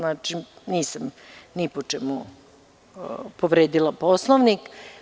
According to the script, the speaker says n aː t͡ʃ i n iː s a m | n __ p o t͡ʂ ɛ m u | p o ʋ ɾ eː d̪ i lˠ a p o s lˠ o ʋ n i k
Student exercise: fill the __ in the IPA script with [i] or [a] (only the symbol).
i